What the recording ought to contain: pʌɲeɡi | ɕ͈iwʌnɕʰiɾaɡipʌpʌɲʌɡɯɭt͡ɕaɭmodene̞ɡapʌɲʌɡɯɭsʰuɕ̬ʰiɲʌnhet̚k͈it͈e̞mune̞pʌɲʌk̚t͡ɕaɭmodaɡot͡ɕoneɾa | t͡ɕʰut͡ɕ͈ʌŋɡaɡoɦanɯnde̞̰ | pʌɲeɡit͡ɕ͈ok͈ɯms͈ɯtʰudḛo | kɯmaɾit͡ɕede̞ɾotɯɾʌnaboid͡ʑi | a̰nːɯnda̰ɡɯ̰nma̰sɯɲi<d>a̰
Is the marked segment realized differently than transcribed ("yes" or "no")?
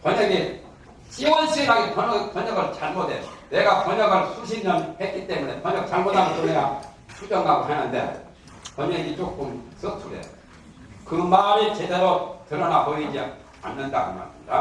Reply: no